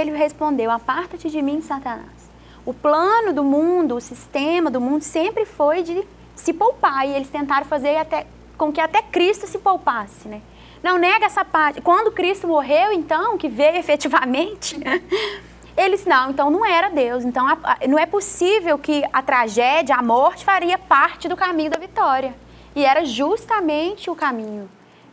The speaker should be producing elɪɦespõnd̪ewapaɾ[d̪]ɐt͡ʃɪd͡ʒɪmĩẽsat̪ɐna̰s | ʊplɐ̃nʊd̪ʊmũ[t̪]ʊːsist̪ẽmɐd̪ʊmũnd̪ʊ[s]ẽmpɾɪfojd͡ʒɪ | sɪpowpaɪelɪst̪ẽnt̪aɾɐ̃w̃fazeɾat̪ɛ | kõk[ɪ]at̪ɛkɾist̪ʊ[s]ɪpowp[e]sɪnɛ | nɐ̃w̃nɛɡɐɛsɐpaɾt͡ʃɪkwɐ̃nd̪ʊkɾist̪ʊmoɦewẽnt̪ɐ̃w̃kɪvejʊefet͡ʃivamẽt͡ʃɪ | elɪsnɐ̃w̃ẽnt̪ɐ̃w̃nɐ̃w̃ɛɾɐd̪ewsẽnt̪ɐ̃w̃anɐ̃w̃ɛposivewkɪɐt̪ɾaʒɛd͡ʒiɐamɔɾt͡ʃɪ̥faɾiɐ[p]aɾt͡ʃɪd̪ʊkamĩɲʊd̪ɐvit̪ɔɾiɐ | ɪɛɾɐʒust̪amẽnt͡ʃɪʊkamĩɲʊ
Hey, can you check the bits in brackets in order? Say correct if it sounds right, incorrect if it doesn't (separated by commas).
incorrect, incorrect, correct, correct, correct, incorrect, correct